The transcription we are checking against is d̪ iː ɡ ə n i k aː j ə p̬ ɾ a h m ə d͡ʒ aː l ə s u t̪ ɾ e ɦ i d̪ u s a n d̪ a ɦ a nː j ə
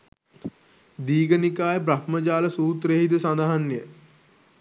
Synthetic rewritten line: d̪ iː ɡ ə n i k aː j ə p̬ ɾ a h m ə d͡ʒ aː l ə s uː t̪ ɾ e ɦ i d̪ u s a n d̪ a ɦ a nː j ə